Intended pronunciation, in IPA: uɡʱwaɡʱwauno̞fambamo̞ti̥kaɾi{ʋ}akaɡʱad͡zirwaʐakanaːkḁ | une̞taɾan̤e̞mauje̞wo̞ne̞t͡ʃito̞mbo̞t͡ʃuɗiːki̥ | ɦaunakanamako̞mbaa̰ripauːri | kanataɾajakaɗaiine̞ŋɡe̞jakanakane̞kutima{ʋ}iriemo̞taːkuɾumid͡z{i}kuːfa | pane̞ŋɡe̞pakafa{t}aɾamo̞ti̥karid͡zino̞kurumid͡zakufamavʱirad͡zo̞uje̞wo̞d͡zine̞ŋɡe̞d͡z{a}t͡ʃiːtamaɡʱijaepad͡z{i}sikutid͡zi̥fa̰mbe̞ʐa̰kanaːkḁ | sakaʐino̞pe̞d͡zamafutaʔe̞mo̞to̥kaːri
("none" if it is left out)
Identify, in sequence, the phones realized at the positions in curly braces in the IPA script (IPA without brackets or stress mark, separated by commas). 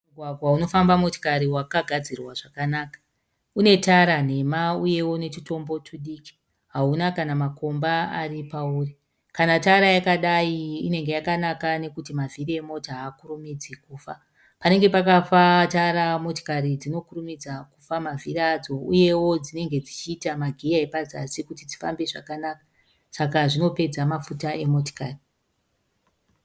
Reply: w, v, i, t, i, a